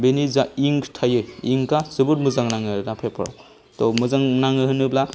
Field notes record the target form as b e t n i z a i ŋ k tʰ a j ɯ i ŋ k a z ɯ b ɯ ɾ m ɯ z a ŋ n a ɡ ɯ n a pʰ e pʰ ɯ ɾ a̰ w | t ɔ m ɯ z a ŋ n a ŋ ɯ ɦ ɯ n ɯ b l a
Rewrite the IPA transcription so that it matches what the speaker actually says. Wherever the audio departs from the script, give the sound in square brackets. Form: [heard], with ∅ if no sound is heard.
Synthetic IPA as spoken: b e [∅] n i z a i ŋ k tʰ a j ɯ i ŋ k a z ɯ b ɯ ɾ m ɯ z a ŋ n a [ŋ] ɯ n a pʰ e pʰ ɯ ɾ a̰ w | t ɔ m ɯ z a ŋ n a ŋ ɯ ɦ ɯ n ɯ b l a